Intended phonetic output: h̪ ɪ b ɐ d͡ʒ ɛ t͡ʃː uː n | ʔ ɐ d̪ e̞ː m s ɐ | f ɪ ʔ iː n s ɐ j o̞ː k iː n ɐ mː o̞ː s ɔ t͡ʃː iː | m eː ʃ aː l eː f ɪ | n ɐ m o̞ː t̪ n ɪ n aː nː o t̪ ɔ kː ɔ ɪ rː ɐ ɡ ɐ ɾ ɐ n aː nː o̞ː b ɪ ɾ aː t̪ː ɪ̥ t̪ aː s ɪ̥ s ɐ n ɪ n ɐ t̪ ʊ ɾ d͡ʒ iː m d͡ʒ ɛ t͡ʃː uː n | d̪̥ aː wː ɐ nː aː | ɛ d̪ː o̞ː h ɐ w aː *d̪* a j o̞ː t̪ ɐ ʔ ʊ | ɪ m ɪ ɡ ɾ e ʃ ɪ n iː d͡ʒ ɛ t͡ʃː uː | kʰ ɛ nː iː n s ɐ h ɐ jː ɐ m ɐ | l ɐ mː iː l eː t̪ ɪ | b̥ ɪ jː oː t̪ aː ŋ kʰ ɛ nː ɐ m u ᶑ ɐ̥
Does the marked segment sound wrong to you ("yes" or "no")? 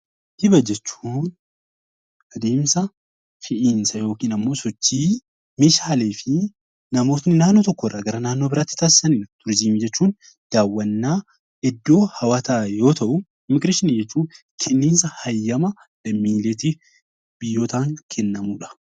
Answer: yes